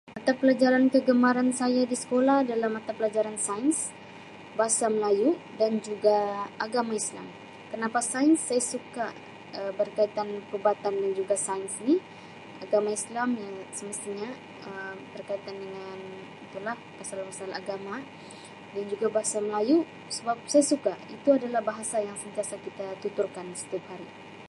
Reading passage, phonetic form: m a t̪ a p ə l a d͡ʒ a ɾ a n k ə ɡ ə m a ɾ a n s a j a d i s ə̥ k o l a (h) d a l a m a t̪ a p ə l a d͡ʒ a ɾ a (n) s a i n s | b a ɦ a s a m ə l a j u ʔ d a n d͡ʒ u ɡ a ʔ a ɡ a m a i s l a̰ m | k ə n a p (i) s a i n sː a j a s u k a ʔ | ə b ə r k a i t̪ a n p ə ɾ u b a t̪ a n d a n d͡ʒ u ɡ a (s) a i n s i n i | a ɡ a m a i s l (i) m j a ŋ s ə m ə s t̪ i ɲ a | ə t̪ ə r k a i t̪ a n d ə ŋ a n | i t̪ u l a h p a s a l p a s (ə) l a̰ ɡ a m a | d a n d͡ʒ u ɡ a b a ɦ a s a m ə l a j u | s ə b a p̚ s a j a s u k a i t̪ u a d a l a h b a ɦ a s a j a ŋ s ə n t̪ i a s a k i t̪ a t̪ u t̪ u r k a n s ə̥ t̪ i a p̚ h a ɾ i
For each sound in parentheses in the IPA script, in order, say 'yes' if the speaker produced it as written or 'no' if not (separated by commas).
yes, yes, no, yes, no, no